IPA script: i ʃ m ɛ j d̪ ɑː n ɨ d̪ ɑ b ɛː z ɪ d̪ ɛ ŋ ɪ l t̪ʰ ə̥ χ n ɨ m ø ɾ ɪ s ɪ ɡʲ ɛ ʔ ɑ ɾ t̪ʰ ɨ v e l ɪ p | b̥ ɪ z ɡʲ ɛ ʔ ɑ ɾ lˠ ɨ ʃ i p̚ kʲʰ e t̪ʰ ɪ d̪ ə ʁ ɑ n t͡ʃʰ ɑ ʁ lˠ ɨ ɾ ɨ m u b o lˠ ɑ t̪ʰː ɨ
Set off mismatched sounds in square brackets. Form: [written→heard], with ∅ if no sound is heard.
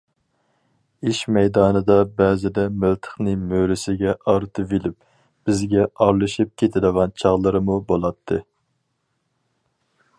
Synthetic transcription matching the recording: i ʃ m ɛ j d̪ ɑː n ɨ d̪ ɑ b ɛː z ɪ d̪ ɛ [ŋ→m] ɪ l t̪ʰ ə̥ χ n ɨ m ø ɾ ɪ s ɪ ɡʲ ɛ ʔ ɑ ɾ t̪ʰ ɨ v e l ɪ p | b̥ ɪ z ɡʲ ɛ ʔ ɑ ɾ lˠ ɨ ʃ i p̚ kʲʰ e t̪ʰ ɪ d̪ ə ʁ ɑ n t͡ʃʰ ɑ ʁ lˠ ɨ ɾ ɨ m u b o lˠ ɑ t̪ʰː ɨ